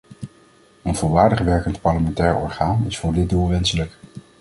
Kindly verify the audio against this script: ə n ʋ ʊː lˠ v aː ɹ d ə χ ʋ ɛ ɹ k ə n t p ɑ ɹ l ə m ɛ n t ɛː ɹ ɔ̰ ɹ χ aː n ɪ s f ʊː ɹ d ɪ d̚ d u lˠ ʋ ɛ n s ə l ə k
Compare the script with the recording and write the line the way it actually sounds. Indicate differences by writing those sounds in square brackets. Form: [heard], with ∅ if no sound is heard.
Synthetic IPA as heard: ə n [v] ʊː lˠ [ʋ] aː ɹ d ə χ ʋ ɛ ɹ k ə n t p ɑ ɹ l ə m ɛ n t ɛː ɹ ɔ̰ ɹ χ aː n ɪ s f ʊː ɹ d ɪ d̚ d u lˠ ʋ ɛ n s ə l ə k

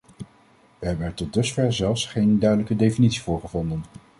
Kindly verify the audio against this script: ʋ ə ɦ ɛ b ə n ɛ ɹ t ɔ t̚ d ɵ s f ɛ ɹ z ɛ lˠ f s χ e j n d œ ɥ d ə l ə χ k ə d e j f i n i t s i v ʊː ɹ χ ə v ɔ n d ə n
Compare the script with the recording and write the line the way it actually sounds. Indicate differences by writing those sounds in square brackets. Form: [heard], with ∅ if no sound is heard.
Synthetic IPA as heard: ʋ ə ɦ ɛ b ə n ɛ ɹ t ɔ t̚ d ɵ s f ɛ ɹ z ɛ lˠ f s χ e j n d œ ɥ d ə l ə [∅] k ə d e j f i n i t s i v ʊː ɹ χ ə v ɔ n d ə n

